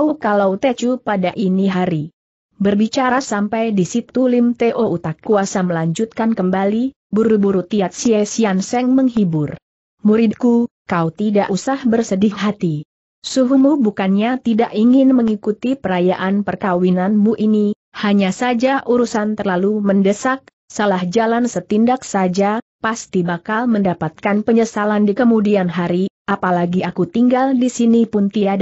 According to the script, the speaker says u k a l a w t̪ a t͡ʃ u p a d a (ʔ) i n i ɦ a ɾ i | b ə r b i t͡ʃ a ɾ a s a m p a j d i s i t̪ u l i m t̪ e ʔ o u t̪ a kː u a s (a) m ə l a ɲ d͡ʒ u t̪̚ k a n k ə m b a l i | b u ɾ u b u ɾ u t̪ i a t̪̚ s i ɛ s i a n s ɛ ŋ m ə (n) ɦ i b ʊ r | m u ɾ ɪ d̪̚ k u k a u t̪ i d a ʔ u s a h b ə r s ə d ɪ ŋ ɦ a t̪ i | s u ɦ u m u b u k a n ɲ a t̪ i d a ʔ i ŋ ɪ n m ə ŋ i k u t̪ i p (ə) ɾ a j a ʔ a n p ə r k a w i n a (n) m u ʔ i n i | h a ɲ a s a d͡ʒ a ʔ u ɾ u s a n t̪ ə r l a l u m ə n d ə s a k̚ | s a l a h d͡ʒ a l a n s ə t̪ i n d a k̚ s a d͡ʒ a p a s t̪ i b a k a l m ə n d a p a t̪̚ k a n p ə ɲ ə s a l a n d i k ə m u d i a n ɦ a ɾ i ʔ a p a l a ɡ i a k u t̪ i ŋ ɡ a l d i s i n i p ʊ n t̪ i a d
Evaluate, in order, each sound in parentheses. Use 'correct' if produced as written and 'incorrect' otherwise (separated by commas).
correct, correct, incorrect, correct, correct